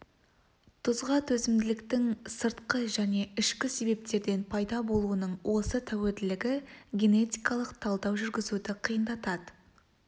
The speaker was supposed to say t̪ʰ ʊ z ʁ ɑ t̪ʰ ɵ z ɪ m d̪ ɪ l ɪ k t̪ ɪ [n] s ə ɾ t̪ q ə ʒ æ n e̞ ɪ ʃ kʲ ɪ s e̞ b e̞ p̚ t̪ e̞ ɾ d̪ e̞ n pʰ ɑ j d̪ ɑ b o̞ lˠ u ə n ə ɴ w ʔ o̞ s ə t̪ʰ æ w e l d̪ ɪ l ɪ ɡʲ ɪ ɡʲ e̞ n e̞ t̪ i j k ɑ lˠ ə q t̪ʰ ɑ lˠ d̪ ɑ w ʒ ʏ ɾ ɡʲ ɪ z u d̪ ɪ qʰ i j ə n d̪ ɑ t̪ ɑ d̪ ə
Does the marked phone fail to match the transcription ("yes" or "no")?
yes